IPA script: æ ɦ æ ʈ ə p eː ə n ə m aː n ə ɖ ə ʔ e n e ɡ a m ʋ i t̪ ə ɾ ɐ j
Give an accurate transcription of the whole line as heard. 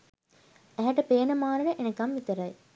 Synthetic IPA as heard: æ ɦ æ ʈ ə p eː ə n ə m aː n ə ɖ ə ʔ e n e k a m ʋ i t̪ ə ɾ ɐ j